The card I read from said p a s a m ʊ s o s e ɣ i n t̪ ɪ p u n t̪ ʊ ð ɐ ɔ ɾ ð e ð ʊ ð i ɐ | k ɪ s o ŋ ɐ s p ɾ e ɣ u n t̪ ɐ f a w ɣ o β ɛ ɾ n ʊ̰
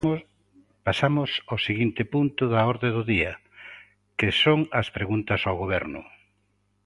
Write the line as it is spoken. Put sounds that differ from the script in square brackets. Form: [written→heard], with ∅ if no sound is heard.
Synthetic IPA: p a s a m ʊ s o s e ɣ i n t̪ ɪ p u n t̪ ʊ ð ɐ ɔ ɾ ð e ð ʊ ð i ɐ | k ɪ s o ŋ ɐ s p ɾ e ɣ u n t̪ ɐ [f→s] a w ɣ o β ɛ ɾ n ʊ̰